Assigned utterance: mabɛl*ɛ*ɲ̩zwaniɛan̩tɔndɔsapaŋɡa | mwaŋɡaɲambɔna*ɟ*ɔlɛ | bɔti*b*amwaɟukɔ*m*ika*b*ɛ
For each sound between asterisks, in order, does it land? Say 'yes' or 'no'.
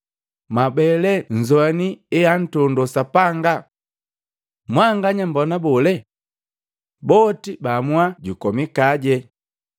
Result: yes, no, yes, yes, no

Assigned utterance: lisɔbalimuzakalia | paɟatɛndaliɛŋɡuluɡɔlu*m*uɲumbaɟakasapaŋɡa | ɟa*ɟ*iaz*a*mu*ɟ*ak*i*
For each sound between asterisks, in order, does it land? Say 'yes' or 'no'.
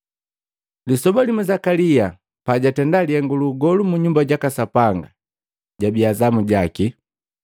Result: yes, no, yes, yes, yes

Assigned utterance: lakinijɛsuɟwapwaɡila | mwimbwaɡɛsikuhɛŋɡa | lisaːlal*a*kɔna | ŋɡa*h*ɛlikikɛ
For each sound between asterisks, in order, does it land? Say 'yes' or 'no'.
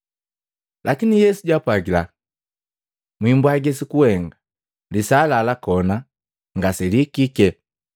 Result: yes, no

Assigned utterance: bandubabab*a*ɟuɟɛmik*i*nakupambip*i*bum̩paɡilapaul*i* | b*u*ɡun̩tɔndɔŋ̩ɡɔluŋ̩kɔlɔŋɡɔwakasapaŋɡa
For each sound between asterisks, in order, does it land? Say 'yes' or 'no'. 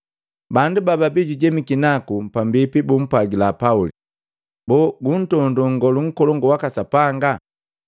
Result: no, yes, yes, yes, no

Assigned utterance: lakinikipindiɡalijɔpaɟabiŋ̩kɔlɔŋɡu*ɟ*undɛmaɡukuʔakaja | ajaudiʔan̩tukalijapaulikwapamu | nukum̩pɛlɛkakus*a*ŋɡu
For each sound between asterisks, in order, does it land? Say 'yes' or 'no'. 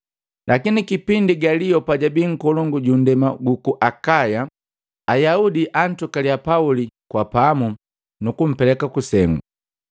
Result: yes, no

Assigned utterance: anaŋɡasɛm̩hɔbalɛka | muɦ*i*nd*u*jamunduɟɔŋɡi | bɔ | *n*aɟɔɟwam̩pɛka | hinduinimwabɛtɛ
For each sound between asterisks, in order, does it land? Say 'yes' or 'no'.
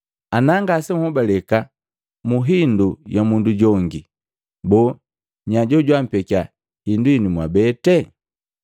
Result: yes, yes, no

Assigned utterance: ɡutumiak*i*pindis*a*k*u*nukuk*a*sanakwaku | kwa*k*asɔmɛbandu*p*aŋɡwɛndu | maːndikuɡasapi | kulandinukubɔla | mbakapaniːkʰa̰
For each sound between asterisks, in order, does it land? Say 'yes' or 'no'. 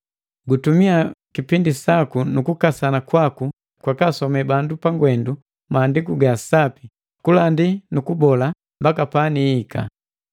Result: yes, yes, yes, yes, yes, yes

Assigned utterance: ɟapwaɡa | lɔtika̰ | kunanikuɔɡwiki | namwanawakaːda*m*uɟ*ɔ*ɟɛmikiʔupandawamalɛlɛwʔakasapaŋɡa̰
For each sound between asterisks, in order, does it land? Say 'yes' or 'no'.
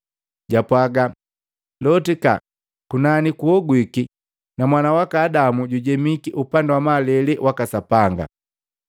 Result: yes, no

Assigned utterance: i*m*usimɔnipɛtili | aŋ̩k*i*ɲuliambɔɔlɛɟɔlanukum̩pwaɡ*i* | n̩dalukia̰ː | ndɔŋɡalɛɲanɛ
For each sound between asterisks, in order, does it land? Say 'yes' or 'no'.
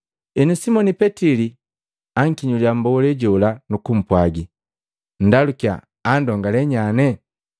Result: no, yes, yes

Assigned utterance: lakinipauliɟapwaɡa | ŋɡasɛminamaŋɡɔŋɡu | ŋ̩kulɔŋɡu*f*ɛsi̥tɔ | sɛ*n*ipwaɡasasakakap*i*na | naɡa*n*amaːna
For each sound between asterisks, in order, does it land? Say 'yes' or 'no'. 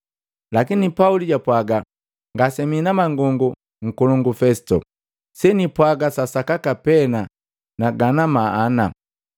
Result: yes, yes, no, yes

